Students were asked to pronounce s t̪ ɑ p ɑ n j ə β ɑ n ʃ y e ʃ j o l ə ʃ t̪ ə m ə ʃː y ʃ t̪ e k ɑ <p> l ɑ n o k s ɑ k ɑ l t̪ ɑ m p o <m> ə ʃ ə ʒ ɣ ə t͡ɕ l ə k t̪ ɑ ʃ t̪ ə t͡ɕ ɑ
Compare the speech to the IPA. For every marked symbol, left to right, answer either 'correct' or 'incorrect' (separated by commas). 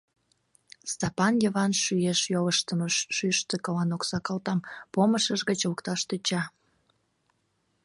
incorrect, correct